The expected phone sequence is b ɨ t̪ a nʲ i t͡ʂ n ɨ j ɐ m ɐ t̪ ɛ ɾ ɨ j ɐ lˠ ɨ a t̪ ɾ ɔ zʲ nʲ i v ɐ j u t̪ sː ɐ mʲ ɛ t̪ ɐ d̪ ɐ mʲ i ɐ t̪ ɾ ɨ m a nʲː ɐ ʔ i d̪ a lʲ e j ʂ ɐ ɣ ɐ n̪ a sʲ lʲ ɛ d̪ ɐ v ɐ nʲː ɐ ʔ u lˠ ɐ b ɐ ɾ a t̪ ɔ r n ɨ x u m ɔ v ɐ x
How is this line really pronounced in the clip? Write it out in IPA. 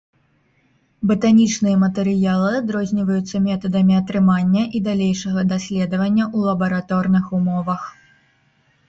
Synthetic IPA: b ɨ t̪ a nʲ i t͡ʂ n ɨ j ɐ m ɐ t̪ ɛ ɾ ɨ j a lˠ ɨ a d̪ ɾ ɔ zʲ nʲ i v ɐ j u t̪ sː ɐ mʲ ɛ t̪ ɐ d̪ ɐ mʲ i ɐ t̪ ɾ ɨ m a nʲː ɐ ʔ i d̪ a lʲ e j ʂ ɐ ɣ ɐ d̪ a sʲ lʲ ɛ d̪ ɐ v ɐ nʲː ɐ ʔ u lˠ ɐ b ɐ ɾ a t̪ ɔ r n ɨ x u m ɔ v ɐ x